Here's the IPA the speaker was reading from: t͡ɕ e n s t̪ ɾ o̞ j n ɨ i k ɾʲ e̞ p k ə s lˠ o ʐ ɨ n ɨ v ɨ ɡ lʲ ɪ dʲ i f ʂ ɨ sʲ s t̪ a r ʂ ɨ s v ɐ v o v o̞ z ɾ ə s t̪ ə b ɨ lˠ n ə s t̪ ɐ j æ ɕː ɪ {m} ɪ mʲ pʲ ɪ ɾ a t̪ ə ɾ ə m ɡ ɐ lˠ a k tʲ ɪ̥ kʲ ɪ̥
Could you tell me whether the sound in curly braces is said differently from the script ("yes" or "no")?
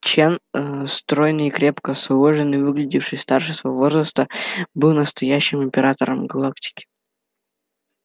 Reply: no